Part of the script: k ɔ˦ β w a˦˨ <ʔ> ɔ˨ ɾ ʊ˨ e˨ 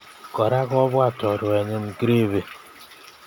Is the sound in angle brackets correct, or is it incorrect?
incorrect: t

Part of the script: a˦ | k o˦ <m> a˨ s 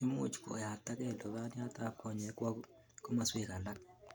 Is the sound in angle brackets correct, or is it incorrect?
correct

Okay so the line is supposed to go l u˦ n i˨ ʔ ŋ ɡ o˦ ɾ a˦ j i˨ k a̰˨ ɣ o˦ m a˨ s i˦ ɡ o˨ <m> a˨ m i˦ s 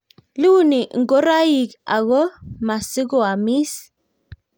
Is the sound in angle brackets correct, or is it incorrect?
incorrect: none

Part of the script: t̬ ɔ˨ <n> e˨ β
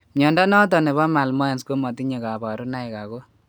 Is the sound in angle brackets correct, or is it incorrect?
correct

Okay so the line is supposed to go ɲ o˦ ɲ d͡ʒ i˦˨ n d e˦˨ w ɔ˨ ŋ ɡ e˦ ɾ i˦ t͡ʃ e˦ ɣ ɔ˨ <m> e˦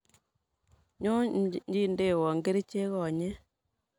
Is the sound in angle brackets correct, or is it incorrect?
incorrect: ɲ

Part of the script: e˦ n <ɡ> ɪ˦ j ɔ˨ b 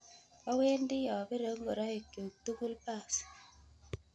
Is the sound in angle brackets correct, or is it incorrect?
incorrect: d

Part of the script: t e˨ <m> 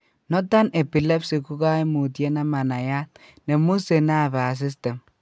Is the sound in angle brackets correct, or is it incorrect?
correct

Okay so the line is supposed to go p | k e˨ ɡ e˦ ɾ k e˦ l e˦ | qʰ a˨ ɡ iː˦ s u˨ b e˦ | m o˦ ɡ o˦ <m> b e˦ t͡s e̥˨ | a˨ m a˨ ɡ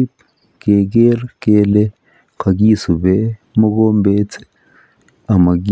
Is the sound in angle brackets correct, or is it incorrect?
correct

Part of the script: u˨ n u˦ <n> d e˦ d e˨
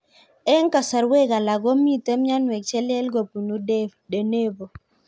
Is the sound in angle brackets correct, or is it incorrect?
incorrect: none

